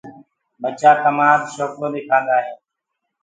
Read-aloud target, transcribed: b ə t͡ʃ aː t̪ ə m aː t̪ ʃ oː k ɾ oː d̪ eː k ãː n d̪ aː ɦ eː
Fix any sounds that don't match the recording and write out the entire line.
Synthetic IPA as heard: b ə t͡ʃ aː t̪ ə m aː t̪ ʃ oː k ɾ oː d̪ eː kʰ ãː n d̪ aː ɦ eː